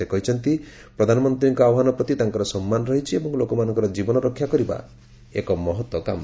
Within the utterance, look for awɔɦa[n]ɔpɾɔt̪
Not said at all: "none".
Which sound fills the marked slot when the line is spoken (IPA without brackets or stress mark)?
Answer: n